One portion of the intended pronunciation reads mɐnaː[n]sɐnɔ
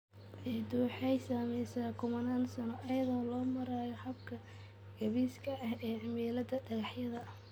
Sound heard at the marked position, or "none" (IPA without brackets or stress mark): n